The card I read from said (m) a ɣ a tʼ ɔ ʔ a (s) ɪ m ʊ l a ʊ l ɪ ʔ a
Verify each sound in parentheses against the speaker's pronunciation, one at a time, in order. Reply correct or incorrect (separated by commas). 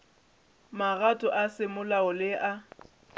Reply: correct, correct